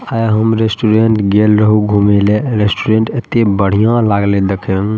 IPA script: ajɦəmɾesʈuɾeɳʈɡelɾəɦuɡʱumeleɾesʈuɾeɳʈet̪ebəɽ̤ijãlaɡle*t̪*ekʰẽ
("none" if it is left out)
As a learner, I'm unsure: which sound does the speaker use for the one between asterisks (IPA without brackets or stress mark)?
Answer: d̪